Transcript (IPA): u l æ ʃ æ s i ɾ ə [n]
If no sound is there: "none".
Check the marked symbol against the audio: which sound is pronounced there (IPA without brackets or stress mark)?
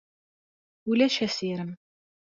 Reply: m